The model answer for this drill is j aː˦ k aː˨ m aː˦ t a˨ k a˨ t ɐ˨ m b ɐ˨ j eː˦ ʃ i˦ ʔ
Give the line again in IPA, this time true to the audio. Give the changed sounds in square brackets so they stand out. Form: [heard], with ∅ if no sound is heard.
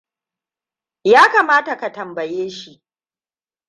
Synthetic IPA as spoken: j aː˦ k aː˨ m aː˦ t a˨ k a˨ t ɐ˨ m b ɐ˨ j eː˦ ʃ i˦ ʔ